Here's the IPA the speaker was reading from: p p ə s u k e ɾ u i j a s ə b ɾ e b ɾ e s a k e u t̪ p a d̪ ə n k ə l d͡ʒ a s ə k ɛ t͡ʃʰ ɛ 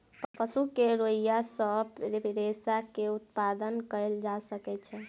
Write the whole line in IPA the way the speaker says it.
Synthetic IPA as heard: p p ə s u k e ɾ o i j a s ə b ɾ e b ɾ e s a k e u t̪ p a d̪ ə n k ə l d͡ʒ a s ə k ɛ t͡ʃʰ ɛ